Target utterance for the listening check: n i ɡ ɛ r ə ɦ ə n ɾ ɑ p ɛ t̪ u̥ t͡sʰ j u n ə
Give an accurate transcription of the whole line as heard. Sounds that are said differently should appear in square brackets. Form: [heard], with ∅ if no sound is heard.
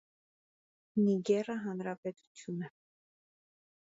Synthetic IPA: n i ɡ ɛ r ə ɦ [ɑ] n ɾ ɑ p ɛ t̪ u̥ t͡sʰ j u n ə